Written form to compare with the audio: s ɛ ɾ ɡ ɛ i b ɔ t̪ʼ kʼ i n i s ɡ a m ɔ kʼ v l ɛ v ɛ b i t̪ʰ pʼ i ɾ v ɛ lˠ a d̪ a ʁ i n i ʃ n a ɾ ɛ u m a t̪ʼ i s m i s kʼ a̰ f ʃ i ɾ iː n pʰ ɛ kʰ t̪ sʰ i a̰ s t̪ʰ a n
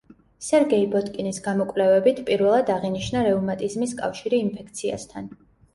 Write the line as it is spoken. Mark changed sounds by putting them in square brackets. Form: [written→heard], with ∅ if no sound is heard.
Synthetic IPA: s ɛ ɾ ɡ ɛ i b ɔ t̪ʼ kʼ i n i s ɡ a m ɔ kʼ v l ɛ v ɛ b i t̪ʰ pʼ i ɾ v ɛ lˠ a d̪ a ʁ i n i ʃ n a ɾ ɛ u m a t̪ʼ i [s→z] m i s kʼ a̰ f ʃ i ɾ iː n pʰ ɛ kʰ t̪ sʰ i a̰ s t̪ʰ a n